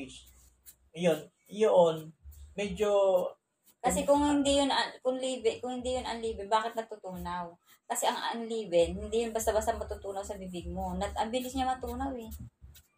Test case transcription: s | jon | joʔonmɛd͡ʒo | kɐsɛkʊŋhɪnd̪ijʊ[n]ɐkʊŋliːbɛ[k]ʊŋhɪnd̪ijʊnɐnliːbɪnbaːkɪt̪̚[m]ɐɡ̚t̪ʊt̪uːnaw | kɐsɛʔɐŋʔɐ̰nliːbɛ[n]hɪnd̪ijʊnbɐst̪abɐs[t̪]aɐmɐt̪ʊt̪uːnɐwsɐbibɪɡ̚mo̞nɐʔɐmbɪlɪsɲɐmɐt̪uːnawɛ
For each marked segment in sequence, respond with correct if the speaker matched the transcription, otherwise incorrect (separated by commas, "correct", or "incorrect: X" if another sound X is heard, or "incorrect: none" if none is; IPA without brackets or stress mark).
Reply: correct, correct, incorrect: n, correct, correct